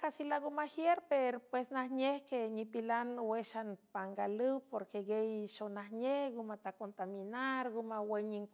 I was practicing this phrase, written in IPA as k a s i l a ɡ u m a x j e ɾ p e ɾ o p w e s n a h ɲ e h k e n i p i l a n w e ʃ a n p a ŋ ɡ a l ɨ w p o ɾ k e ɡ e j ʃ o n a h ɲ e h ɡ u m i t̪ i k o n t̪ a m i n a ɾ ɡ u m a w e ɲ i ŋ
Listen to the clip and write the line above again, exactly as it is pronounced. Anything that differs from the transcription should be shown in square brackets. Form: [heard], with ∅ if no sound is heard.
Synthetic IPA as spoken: k a s i l a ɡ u m a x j e ɾ p e ɾ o p w e s n a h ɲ e h k e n i p i l a n w e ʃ a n p a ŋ ɡ a l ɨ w p o ɾ k e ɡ e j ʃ o n a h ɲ e h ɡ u m [a] t̪ [a] k o n t̪ a m i n a ɾ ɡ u m a w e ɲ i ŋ